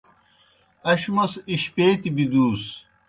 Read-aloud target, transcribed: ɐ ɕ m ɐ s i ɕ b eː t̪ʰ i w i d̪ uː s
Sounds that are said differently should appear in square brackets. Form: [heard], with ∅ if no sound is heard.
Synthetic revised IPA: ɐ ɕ m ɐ s i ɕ [p] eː [t̪] i [b] i d̪ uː s